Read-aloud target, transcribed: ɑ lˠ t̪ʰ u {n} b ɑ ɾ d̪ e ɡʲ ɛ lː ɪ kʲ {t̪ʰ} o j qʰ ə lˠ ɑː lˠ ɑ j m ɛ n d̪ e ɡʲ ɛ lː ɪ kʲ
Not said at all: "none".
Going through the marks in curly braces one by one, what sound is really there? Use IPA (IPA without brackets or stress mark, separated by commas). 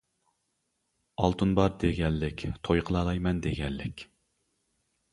n, t̪ʰ